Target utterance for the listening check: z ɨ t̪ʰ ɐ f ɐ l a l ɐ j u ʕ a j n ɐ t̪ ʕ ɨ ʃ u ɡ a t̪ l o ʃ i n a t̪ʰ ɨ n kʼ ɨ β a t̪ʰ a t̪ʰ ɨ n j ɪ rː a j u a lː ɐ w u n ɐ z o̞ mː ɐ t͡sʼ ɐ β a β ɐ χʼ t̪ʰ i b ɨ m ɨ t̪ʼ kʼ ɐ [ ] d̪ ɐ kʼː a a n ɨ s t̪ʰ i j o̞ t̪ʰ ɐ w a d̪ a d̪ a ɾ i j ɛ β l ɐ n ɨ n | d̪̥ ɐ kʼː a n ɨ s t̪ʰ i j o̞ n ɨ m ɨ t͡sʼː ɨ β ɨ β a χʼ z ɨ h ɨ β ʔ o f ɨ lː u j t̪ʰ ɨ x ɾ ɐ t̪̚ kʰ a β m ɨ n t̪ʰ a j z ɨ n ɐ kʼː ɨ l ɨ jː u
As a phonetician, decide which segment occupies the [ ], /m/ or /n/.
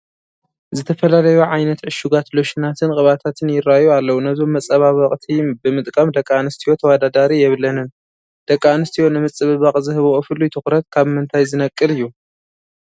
m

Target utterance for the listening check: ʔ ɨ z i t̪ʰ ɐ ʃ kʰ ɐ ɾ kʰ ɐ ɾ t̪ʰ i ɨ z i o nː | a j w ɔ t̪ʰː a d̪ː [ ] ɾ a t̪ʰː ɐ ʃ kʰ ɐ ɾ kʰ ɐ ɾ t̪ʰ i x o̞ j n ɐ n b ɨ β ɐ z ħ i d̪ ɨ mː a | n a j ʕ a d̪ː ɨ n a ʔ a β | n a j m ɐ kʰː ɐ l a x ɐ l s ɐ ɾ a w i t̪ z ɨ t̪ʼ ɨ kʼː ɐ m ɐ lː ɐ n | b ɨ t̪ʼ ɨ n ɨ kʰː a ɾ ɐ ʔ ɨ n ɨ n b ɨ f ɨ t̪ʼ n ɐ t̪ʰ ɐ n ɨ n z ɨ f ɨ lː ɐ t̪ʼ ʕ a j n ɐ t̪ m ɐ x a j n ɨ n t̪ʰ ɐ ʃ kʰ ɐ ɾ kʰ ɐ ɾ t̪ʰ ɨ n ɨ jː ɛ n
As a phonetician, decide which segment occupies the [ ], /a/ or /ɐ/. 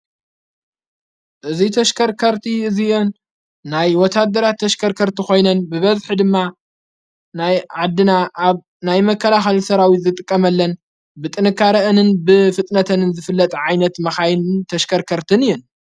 ɐ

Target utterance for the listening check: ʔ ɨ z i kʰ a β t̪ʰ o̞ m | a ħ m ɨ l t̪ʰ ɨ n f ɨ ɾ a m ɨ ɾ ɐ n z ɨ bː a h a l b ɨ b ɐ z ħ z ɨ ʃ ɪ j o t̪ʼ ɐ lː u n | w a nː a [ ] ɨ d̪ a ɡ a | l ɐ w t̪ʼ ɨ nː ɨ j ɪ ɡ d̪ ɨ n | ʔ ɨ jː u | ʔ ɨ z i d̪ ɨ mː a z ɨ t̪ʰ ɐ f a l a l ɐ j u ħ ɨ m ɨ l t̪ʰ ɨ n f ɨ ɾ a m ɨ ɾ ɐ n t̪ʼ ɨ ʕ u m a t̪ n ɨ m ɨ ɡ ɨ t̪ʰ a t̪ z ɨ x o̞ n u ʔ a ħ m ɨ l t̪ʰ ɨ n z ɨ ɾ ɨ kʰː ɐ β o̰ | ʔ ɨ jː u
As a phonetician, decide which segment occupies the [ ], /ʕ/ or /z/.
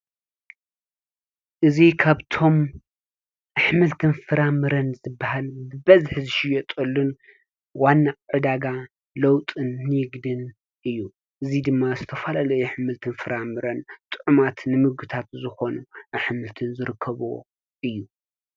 ʕ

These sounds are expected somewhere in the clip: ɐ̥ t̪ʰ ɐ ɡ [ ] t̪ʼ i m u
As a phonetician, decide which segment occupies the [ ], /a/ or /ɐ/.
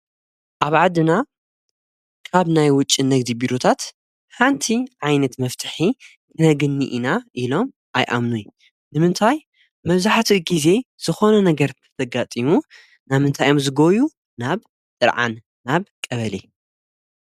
a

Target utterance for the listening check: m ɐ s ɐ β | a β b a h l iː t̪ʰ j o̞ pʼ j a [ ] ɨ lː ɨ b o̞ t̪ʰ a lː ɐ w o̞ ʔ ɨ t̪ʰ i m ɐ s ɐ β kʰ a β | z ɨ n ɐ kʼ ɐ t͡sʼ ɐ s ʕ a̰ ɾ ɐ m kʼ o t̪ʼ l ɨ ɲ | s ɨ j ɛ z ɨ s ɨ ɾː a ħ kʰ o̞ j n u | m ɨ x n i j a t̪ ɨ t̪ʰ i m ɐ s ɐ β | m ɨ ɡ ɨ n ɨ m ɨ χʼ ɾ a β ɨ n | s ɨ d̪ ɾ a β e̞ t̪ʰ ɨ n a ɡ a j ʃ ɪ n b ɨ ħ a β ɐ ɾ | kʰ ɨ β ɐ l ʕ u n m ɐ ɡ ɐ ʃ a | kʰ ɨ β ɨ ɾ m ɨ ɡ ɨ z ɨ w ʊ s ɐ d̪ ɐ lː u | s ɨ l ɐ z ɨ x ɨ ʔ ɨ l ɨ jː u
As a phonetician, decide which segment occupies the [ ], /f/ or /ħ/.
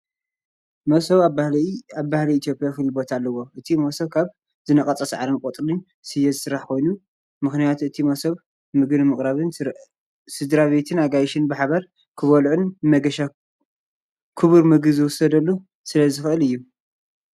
f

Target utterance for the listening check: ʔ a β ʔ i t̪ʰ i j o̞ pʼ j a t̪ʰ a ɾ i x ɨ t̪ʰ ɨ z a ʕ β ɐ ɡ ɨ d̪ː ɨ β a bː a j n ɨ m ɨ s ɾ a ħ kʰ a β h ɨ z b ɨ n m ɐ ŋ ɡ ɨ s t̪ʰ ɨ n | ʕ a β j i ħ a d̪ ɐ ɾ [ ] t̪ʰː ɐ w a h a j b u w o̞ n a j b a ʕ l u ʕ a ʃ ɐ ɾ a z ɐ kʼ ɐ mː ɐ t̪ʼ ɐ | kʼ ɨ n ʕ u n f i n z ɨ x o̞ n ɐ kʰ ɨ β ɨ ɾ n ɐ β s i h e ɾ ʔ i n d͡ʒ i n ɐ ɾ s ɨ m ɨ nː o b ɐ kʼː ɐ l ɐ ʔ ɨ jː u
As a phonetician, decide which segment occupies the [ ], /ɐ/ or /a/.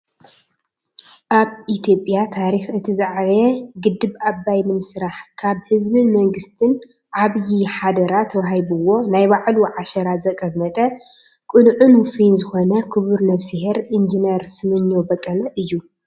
a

